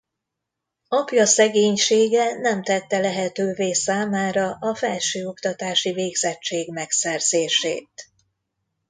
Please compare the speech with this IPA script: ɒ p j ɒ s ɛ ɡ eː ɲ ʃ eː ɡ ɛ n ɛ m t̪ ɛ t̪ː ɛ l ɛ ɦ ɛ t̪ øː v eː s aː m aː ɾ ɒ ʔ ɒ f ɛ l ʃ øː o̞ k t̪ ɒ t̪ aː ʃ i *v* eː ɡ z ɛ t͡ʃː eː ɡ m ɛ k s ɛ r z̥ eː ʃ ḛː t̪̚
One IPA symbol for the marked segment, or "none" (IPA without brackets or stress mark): v